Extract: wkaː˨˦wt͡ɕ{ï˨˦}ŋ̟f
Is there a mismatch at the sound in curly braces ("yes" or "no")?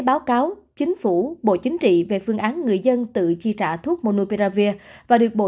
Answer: no